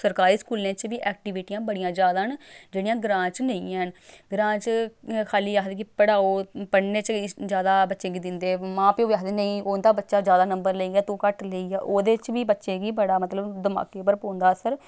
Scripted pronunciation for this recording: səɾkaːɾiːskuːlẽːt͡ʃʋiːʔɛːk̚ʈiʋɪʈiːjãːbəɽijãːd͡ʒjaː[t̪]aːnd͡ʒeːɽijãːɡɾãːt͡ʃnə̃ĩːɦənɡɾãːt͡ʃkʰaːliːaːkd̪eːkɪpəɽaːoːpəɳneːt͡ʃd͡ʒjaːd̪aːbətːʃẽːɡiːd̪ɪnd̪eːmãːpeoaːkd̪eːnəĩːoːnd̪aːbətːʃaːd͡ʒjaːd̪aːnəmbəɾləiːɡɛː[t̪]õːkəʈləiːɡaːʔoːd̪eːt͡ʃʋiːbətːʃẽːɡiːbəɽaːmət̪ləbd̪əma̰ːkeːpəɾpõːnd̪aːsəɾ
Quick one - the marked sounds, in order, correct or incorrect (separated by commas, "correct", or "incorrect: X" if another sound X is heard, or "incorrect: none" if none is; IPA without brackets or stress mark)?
incorrect: d̪, correct